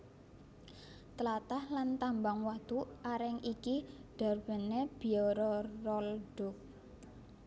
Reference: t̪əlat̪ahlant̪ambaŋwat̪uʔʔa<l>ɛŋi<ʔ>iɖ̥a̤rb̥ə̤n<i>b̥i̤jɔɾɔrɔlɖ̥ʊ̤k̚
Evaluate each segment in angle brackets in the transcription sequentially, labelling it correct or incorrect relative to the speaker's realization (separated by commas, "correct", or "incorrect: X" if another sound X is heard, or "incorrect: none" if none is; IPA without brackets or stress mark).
incorrect: ɾ, incorrect: k, incorrect: e